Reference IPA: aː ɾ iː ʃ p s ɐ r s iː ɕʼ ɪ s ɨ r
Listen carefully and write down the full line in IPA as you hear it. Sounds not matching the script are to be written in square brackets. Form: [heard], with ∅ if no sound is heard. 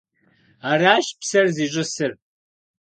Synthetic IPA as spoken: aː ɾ [aː] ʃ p s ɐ r [z] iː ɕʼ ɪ s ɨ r